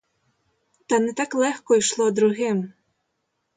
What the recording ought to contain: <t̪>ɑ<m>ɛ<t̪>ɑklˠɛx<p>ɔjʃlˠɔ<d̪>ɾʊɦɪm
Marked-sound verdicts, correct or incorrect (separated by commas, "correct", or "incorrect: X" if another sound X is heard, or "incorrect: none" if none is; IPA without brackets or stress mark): correct, incorrect: n, correct, incorrect: k, correct